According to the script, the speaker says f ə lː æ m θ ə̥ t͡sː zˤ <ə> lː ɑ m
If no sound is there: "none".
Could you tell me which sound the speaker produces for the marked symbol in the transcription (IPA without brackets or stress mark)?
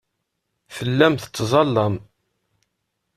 ɑ